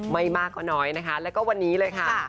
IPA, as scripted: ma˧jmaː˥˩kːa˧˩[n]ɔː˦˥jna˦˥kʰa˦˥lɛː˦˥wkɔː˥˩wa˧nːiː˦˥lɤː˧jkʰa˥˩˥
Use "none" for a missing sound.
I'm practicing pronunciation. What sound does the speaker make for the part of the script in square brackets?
n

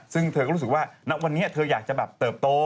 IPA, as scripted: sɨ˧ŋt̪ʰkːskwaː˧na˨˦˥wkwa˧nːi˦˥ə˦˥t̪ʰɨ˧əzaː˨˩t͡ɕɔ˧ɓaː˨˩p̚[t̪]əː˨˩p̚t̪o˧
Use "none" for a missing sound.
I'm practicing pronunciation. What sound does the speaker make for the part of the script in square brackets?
t̪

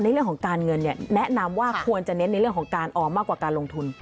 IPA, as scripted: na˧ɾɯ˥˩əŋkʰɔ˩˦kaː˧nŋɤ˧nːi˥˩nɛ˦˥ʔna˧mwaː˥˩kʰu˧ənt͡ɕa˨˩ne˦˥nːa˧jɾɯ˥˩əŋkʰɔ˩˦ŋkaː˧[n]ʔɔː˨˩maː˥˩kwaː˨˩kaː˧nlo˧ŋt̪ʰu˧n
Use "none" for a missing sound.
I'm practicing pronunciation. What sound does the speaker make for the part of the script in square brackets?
n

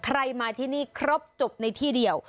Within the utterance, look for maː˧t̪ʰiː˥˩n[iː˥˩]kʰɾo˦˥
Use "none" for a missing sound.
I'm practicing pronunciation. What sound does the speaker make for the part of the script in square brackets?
iː˥˩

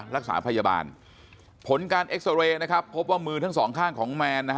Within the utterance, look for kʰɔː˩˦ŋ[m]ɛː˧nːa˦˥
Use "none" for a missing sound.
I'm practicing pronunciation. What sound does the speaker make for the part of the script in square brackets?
m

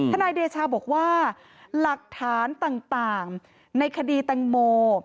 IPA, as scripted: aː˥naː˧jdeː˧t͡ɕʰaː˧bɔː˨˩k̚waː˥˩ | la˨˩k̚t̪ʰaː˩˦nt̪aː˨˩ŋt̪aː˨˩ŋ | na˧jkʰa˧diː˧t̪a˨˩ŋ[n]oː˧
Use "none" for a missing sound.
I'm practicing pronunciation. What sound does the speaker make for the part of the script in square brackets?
m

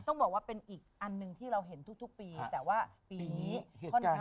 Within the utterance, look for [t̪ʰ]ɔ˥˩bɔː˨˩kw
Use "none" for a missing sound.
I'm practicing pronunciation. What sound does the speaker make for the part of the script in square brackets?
t̪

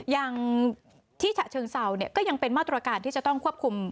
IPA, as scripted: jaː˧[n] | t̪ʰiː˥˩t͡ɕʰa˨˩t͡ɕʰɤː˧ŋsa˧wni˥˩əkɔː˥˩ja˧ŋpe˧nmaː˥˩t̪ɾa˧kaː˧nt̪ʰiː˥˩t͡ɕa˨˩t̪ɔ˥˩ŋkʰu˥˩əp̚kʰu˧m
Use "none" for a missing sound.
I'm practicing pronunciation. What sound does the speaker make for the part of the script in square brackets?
ŋ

